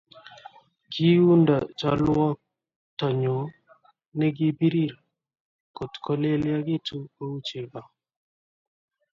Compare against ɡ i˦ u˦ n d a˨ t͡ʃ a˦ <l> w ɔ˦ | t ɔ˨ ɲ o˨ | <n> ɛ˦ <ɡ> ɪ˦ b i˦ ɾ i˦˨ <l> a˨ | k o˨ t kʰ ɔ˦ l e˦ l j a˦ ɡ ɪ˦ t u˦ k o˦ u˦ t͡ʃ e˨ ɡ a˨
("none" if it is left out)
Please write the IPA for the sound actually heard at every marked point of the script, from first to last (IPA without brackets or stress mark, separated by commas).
l, n, ɡ, ɾ